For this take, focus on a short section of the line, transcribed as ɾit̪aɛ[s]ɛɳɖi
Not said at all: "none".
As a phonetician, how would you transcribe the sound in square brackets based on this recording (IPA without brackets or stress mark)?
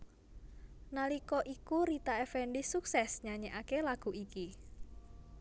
f